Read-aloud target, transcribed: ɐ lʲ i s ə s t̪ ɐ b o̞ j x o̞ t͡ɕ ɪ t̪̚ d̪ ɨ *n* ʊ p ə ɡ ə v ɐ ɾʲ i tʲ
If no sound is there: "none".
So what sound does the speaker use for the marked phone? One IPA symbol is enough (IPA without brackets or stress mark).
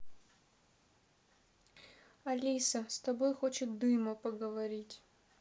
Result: m